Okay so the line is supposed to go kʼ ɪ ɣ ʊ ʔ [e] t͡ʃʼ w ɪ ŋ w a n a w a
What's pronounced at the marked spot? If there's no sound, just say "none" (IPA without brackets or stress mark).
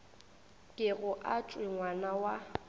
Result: a